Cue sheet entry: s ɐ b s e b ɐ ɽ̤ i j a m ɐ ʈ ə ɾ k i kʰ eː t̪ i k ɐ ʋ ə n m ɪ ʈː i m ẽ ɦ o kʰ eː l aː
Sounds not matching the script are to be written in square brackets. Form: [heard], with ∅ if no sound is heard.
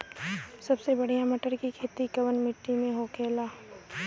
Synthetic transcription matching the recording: s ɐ b s e b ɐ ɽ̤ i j a m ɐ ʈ ə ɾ k i kʰ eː t̪ i k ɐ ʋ ə n m ɪ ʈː i m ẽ ɦ o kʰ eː l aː

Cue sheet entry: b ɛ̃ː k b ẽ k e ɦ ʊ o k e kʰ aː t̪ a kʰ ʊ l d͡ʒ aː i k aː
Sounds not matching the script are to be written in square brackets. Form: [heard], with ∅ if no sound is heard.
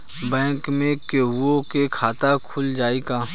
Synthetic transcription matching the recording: b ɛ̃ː k [m] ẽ k e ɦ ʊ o k e kʰ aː t̪ a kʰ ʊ l d͡ʒ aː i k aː

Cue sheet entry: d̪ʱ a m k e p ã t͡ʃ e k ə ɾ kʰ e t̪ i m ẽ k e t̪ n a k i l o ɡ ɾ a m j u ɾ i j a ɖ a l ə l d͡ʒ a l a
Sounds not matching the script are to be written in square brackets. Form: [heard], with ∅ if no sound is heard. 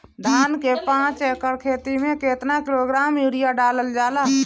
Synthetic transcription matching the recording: d̪ʱ a [n] k e p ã t͡ʃ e k ə ɾ kʰ e t̪ i m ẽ k e t̪ n a k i l o ɡ ɾ a m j u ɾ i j a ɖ a l ə l d͡ʒ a l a

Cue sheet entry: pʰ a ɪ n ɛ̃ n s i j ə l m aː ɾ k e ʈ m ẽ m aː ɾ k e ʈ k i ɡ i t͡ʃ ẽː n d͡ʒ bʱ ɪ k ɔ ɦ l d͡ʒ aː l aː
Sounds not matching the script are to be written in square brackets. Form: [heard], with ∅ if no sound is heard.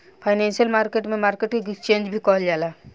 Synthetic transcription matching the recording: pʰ a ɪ n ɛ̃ n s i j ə l m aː ɾ k e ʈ m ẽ m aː ɾ k e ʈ k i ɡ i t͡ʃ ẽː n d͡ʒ bʱ [i] k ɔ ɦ l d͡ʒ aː l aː

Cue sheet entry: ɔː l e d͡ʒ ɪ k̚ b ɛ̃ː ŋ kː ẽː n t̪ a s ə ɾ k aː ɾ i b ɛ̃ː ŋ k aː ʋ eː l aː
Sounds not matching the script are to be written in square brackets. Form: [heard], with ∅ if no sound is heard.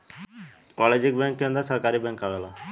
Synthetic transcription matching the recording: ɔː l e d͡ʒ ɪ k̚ b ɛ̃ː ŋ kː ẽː n [d̪] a s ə ɾ k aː ɾ i b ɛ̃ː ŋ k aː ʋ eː l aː

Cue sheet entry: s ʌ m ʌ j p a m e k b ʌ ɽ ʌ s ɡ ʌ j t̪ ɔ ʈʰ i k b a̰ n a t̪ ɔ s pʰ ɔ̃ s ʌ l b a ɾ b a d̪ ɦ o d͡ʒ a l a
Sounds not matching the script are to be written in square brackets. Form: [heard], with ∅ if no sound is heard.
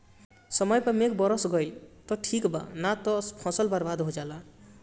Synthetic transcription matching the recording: s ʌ m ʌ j p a m e k b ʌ [ɾ] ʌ s ɡ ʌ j t̪ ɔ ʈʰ i k b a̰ n a t̪ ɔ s pʰ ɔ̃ s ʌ l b a ɾ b a d̪ ɦ o d͡ʒ a l a

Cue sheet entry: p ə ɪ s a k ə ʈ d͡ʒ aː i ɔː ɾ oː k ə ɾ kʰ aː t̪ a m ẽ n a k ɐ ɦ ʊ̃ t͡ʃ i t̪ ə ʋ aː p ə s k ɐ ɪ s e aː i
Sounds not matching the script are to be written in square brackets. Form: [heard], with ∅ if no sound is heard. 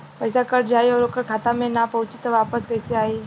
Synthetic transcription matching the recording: p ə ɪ s a k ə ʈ d͡ʒ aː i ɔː ɾ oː k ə ɾ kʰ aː t̪ a m ẽ n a [p] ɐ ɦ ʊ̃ t͡ʃ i t̪ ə ʋ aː p ə s k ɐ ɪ s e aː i

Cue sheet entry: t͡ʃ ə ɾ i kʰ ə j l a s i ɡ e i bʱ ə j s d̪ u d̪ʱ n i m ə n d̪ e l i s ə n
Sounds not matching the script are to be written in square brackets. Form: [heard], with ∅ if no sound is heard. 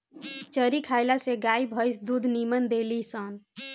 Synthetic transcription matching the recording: t͡ʃ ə ɾ i kʰ [a] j l a s [e] ɡ [a] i bʱ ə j s d̪ u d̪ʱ n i m ə n d̪ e l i s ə n

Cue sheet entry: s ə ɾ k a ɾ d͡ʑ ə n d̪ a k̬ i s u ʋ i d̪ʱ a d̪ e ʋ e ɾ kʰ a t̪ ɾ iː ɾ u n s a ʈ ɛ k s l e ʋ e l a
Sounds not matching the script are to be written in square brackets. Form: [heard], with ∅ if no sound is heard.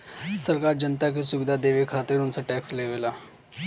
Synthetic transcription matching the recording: s ə ɾ k a ɾ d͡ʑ ə n [t̪] a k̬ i s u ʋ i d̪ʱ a d̪ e ʋ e [∅] kʰ a t̪ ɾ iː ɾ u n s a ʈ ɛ k s l e ʋ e l a

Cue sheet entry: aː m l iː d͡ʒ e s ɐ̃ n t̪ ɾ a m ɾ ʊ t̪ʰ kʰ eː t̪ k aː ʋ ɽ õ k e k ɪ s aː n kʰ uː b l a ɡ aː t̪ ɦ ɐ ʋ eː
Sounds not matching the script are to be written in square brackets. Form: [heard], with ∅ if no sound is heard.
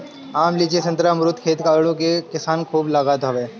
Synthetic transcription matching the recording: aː m l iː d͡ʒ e s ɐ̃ n t̪ ɾ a m ɾ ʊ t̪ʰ kʰ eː t̪ k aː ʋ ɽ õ k e k ɪ s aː n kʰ uː b l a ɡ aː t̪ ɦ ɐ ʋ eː

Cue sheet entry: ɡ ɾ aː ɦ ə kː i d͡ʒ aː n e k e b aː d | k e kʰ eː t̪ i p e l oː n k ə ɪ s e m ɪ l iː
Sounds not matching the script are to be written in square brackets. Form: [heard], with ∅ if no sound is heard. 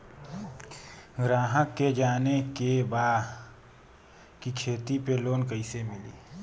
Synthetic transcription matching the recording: ɡ ɾ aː ɦ ə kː [e] d͡ʒ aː n e k e b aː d | k [i] kʰ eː t̪ i p e l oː n k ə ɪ s e m ɪ l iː

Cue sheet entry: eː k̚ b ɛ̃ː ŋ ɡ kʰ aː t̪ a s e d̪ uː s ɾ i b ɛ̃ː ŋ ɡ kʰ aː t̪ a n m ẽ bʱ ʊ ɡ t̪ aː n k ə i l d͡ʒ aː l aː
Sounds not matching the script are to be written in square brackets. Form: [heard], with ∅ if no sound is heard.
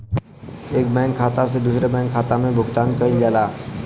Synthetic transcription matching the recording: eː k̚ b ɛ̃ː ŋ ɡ kʰ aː t̪ a s e d̪ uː s ɾ [e] b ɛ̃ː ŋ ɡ kʰ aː t̪ a [∅] m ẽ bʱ ʊ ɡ t̪ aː n k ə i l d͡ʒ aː l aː

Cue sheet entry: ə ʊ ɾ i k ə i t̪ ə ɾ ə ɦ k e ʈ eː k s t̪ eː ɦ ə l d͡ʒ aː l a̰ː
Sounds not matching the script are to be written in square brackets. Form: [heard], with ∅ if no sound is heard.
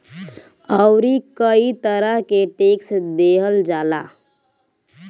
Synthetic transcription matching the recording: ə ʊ ɾ i k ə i t̪ ə ɾ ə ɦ k e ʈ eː k s [d̪] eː ɦ ə l d͡ʒ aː l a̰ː

